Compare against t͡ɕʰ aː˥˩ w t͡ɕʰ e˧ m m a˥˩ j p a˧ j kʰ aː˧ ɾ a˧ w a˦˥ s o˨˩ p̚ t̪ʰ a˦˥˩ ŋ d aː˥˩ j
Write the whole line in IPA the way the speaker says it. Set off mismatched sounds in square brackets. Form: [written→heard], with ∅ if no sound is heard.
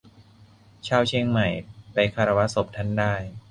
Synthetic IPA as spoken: t͡ɕʰ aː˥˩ w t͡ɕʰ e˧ [m→ŋ] m [a˥˩→a˨˩] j p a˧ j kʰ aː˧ ɾ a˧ w a˦˥ s o˨˩ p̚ t̪ʰ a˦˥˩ [ŋ→n] d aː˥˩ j